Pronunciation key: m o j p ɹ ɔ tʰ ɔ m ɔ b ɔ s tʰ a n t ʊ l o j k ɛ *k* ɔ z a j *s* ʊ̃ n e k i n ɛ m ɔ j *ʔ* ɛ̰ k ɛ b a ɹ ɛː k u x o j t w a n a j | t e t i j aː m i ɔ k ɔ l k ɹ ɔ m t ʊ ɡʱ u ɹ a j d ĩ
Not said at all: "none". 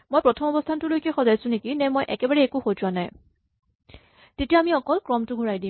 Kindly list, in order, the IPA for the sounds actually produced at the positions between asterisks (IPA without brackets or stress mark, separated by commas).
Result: x, s, ʔ